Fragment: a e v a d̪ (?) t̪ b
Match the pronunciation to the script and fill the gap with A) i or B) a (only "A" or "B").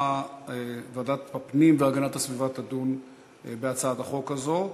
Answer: B